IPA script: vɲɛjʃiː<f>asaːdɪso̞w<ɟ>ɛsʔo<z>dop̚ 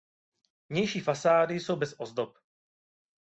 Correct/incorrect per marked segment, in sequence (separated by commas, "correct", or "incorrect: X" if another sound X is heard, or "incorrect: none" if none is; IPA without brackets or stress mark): correct, incorrect: b, correct